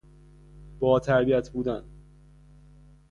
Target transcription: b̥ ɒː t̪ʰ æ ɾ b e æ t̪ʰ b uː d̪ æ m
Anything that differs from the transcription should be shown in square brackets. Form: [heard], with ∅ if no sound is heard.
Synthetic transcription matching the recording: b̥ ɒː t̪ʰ æ ɾ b [i] æ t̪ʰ b uː d̪ æ [n]